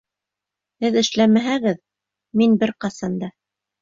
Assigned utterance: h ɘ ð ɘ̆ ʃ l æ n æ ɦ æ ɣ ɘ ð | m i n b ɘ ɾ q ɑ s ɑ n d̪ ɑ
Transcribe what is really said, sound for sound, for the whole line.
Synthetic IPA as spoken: h ɘ ð ɘ̆ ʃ l æ m æ ɦ æ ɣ ɘ ð | m i n b ɘ ɾ q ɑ s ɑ n d̪ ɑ